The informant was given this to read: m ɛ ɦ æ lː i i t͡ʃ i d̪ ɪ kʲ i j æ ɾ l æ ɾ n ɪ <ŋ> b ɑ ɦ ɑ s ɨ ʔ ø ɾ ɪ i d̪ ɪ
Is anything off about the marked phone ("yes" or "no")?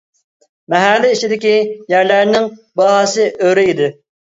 no